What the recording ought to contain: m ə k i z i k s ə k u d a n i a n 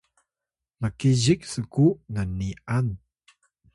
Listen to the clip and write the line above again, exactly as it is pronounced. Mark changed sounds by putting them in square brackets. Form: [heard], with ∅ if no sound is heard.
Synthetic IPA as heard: m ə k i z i k s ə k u [n] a n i a n